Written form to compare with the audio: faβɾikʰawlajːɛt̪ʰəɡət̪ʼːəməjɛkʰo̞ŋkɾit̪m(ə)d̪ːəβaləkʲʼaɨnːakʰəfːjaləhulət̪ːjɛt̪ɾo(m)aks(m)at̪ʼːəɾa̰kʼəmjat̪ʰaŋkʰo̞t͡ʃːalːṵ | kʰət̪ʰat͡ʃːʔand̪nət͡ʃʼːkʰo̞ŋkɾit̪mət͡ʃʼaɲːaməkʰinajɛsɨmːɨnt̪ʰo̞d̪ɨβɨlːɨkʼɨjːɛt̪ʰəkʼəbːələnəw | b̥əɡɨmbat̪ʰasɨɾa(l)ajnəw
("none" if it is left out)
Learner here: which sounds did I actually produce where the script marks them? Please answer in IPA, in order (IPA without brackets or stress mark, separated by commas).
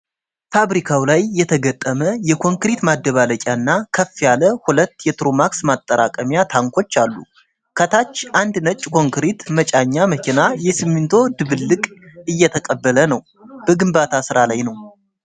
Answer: a, m, m, l